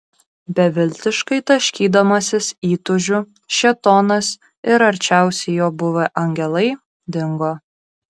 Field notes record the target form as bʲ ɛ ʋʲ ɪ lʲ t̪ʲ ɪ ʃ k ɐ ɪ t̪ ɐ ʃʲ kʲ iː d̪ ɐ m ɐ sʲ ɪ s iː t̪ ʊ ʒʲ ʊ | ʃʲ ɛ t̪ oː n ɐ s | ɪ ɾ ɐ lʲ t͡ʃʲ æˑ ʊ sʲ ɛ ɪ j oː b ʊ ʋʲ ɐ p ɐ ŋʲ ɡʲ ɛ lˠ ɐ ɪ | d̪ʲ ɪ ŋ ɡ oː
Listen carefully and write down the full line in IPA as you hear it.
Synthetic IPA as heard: bʲ ɛ ʋʲ ɪ lʲ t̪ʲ ɪ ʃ k ɐ ɪ t̪ ɐ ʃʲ kʲ iː d̪ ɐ m ɐ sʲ ɪ s iː t̪ ʊ ʒʲ ʊ | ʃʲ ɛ t̪ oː n ɐ s | ɪ ɾ ɐ ɾʲ t͡ʃʲ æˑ ʊ sʲ ɛ ɪ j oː b ʊ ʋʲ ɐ ʔ ɐ ŋʲ ɡʲ ɛ lˠ ɐ ɪ | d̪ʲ ɪ ŋ ɡ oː